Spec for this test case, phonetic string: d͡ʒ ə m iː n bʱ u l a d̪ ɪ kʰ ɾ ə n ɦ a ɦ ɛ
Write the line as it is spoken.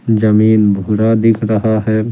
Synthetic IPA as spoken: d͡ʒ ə m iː n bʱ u ɾ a d̪ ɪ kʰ ɾ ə ɦ a ɦ ɛ

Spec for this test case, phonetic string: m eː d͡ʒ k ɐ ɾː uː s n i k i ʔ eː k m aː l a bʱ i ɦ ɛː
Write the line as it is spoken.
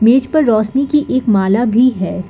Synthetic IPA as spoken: m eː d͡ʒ p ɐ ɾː ɔː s n i k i ʔ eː k m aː l a bʱ i ɦ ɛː

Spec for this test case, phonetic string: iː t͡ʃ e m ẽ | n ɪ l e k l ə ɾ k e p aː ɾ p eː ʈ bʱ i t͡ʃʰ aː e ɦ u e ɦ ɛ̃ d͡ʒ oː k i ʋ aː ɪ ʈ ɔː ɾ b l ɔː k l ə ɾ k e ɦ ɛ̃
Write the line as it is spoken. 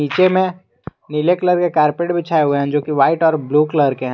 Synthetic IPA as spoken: iː t͡ʃ e m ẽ | n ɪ l e k l ə ɾ k e k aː ɾ p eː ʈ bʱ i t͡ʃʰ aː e ɦ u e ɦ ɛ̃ d͡ʒ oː k i ʋ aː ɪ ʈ ɔː ɾ b l uː k l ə ɾ k e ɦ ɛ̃

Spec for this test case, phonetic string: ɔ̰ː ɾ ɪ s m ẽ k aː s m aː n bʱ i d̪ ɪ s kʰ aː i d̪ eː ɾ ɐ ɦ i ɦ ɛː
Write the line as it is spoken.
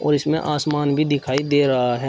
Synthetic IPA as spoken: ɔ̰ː ɾ ɪ s m ẽ ʔ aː s m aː n bʱ i d̪ ɪ kʰ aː i d̪ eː ɾ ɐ ɦ a ɦ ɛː

